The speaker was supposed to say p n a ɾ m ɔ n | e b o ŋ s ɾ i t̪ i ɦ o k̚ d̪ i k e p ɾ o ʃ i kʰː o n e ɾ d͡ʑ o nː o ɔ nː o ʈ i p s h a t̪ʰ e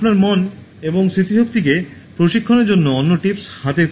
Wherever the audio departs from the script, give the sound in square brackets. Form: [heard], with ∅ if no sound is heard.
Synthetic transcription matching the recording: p n a ɾ m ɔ n | e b o ŋ s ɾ i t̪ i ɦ o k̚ [t̪] i k e p ɾ o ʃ i kʰː o n e ɾ d͡ʑ o nː o ɔ nː o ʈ i p s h a [t̪] e